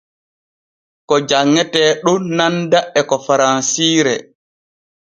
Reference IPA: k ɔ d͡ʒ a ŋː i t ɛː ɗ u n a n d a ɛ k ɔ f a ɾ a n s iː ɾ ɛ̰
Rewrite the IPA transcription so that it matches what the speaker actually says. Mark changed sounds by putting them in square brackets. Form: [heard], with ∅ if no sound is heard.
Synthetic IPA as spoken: k ɔ d͡ʒ a ŋː [ɛ] t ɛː ɗ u n a n d a ɛ k ɔ f a ɾ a n s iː ɾ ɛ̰

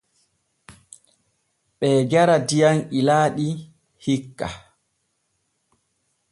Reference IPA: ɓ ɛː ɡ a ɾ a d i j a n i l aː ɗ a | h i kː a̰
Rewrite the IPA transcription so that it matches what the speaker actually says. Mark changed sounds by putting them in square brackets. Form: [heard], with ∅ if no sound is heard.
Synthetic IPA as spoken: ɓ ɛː ɡ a ɾ a d i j a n i l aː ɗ [i] | h i kː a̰

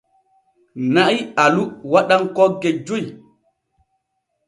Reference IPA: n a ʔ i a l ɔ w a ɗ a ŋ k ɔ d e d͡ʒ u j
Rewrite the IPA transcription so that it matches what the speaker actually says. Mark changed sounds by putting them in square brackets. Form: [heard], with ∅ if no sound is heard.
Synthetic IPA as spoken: n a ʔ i a l [u] w a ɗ a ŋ k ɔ [ɡ] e d͡ʒ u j

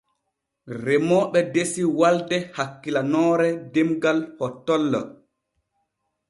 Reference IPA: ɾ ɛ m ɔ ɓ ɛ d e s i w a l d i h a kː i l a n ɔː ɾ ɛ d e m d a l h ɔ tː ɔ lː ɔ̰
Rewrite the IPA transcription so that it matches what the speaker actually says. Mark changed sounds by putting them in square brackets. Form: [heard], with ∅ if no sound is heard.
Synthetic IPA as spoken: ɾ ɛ m ɔ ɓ ɛ d e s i w a l d [ɛ] h a kː i l a n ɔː ɾ ɛ d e m [ɡ] a l h ɔ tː ɔ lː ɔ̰

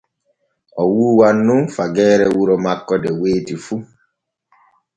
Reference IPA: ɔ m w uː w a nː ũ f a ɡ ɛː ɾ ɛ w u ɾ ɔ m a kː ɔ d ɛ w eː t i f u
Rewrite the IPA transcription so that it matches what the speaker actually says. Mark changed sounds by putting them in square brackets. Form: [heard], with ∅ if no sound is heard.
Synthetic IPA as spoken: ɔ [∅] w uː w a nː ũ f a ɡ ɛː ɾ ɛ w u ɾ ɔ m a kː ɔ d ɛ w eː t i f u

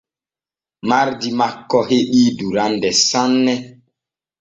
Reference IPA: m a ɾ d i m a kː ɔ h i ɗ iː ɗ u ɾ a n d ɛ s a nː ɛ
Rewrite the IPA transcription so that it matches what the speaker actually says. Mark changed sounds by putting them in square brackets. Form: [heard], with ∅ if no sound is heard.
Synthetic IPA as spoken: m a ɾ d i m a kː ɔ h [e] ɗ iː [d] u ɾ a n d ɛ s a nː ɛ

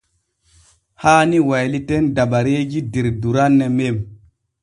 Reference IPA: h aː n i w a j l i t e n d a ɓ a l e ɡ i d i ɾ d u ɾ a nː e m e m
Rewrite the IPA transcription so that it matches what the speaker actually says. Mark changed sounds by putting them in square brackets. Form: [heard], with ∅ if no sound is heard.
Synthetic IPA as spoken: h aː n i w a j l i t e n d a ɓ a [ɾ] e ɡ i d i ɾ d u ɾ a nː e m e m

